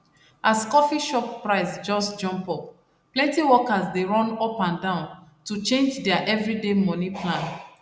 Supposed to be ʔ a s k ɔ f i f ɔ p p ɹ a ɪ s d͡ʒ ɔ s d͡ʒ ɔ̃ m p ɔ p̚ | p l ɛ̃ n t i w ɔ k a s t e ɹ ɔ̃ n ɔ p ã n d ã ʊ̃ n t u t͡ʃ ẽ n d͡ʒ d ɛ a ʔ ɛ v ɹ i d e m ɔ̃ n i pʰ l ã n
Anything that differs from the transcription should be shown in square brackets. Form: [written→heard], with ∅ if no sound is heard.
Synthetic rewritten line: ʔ a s k ɔ f i [f→ʃ] ɔ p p ɹ a ɪ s d͡ʒ ɔ s d͡ʒ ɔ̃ m p ɔ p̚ | p l ɛ̃ n t i w ɔ k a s [t→d] e ɹ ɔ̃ n ɔ p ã n d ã ʊ̃ n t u t͡ʃ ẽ n d͡ʒ d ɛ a ʔ ɛ v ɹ i d e m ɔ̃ n i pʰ l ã n